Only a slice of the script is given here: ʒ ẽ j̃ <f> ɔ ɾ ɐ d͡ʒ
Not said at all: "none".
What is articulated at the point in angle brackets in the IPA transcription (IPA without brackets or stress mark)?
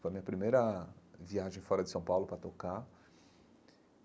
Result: f